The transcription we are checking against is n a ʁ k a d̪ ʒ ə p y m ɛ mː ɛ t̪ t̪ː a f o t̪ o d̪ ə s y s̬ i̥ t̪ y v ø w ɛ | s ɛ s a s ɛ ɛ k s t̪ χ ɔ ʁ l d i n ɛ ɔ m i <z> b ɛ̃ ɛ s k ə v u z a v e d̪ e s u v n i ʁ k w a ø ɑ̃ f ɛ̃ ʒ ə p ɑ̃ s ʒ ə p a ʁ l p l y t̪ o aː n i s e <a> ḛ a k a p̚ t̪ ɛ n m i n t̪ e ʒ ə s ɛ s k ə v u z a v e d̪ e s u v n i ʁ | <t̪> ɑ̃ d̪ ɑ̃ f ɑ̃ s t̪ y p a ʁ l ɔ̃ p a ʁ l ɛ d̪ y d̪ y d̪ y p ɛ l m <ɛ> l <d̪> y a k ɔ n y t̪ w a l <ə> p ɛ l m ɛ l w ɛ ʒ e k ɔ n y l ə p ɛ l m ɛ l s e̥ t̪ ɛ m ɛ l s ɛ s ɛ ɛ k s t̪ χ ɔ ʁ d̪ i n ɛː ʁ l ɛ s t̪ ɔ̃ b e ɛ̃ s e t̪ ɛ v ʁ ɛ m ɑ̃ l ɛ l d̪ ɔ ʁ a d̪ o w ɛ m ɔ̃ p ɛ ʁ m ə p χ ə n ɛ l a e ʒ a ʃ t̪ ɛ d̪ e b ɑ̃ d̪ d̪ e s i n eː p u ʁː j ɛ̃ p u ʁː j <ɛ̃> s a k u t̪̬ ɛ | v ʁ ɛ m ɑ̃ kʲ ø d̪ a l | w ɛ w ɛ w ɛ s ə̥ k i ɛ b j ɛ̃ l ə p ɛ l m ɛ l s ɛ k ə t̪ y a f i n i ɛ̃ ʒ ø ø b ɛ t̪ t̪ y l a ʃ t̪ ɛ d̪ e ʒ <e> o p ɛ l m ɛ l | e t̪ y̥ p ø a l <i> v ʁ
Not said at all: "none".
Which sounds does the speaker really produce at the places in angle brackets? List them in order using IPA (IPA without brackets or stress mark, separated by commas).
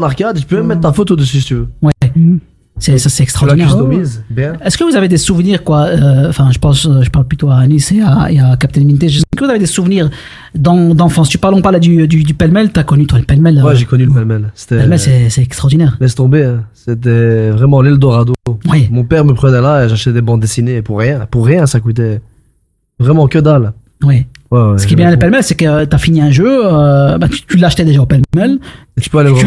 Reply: z, a, d̪, ɛ, t̪, ə, ɛ̃, a, e